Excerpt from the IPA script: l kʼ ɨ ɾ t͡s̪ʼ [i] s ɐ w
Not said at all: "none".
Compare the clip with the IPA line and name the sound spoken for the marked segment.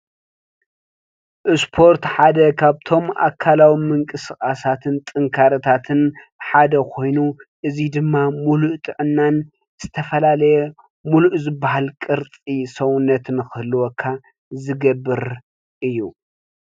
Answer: i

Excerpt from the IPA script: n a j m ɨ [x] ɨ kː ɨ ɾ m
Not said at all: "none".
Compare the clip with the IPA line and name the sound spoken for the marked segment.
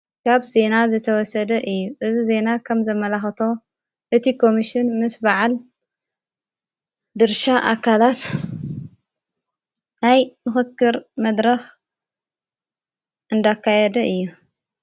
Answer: x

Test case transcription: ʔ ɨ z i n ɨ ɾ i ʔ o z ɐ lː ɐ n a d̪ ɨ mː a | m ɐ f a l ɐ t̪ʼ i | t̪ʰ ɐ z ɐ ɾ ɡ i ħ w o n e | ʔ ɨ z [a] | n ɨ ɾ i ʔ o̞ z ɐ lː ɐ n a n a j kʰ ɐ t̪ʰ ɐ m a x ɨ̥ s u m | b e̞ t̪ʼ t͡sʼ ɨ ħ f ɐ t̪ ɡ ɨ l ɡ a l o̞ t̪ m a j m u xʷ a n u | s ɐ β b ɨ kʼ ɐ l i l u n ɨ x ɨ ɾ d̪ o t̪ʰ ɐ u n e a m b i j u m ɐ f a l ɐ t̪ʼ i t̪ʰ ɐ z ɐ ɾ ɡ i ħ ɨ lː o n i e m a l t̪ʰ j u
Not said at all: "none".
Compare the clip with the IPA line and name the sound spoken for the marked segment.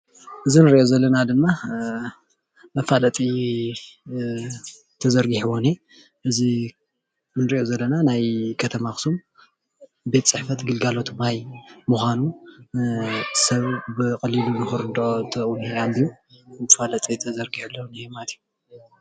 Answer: i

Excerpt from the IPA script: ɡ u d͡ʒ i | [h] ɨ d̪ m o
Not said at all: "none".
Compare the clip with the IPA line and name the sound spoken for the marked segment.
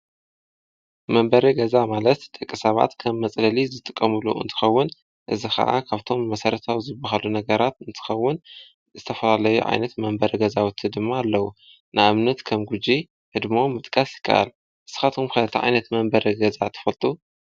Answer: h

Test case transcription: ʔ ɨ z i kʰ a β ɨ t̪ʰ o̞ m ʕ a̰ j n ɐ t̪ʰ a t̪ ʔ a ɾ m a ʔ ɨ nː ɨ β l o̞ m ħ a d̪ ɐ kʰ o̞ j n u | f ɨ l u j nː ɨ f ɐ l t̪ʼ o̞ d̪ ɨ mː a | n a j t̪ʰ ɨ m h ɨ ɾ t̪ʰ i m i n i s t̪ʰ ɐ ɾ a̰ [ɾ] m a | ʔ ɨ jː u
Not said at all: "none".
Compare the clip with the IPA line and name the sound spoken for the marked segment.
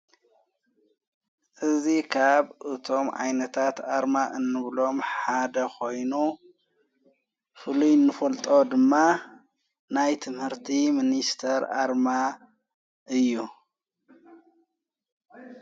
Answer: ɾ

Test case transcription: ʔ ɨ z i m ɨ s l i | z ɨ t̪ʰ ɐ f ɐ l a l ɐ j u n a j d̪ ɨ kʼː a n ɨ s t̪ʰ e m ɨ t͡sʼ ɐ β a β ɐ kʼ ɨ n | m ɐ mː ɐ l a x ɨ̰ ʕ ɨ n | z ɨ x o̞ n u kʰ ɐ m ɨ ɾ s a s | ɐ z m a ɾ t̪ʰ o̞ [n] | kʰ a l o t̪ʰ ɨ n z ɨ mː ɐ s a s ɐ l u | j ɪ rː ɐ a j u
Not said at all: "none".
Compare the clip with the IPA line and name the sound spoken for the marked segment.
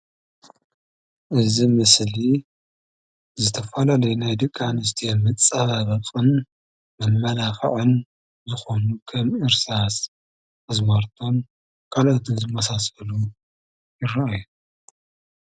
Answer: n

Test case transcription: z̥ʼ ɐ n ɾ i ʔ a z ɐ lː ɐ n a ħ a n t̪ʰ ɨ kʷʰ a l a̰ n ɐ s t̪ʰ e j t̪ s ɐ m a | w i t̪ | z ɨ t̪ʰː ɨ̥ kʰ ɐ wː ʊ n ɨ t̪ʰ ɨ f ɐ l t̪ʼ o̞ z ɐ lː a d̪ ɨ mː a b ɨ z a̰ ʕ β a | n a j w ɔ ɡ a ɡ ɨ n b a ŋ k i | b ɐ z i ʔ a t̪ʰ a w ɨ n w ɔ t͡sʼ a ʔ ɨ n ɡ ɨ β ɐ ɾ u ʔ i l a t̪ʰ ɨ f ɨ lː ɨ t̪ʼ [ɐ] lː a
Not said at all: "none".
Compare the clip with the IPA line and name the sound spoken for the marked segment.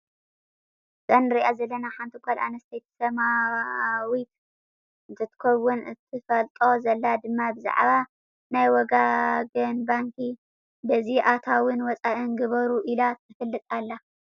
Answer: a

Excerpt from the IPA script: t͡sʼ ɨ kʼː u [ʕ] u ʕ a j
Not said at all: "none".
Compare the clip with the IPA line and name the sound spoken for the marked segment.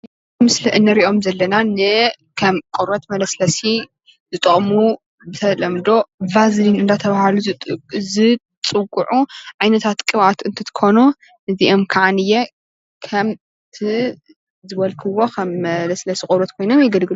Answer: ʕ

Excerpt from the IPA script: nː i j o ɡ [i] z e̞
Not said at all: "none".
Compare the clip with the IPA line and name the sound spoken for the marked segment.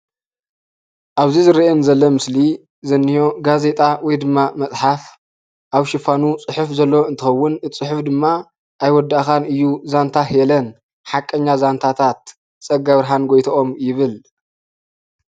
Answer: a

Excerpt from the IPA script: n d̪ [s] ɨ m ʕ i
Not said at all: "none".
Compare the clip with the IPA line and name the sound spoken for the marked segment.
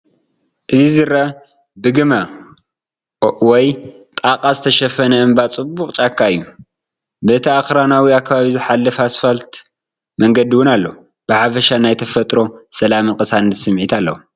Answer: s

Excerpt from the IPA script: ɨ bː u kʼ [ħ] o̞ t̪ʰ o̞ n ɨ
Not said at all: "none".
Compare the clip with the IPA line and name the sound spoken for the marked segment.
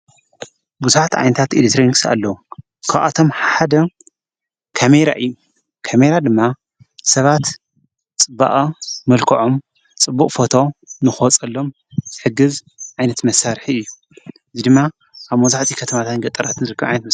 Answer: f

